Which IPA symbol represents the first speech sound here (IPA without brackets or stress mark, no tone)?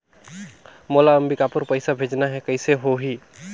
m